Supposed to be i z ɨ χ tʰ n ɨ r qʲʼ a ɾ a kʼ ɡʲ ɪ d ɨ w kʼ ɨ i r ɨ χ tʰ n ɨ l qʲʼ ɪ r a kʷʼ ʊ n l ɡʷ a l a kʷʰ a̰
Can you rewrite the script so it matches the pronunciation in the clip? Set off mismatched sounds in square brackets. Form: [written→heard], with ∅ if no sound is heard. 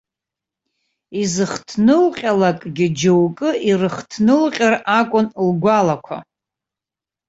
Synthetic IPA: i z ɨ χ tʰ n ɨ [r→l] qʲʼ a [ɾ→l] a kʼ ɡʲ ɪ [d→d͡ʒ] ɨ w kʼ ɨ i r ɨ χ tʰ n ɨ l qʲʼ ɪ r a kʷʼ ʊ n l ɡʷ a l a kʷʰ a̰